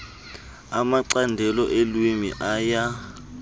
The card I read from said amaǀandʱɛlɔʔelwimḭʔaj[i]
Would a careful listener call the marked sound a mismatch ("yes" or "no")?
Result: yes